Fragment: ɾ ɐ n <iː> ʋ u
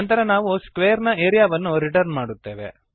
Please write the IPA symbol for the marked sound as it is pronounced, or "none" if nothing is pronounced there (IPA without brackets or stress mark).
aː